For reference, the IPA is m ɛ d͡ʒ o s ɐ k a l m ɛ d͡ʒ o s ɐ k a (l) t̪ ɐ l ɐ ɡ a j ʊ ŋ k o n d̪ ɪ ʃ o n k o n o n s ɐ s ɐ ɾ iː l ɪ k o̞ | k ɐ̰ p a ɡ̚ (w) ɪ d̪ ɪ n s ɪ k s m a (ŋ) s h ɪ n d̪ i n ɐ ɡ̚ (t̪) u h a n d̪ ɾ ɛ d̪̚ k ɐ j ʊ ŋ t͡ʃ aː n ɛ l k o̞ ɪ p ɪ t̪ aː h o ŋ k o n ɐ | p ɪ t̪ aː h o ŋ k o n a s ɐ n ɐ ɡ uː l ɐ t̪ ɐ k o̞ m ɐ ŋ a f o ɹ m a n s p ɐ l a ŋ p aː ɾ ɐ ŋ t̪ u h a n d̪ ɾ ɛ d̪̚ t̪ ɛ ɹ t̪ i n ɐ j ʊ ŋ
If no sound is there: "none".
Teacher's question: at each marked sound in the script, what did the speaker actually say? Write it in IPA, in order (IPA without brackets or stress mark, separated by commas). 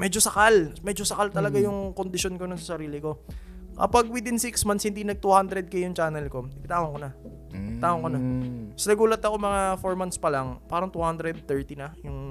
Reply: l, w, n, t̪